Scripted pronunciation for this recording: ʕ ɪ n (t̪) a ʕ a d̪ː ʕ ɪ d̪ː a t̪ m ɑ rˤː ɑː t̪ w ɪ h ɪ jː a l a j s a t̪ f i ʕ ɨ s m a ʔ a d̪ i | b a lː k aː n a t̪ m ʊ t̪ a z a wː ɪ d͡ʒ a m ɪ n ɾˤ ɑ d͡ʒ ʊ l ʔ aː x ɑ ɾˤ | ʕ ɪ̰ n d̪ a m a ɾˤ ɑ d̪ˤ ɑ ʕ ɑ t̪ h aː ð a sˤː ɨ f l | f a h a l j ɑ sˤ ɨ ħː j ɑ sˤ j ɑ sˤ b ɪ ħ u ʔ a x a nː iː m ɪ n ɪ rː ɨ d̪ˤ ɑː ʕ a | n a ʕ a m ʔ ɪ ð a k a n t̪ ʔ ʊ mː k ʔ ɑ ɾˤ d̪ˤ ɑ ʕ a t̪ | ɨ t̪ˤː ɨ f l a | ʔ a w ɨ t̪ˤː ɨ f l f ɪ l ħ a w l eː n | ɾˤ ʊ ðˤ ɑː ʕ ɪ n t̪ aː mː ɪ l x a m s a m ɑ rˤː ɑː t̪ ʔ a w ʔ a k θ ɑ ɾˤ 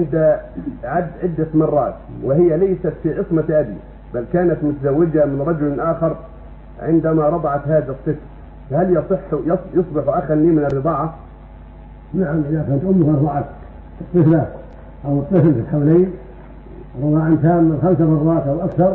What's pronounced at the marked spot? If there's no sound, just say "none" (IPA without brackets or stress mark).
d̪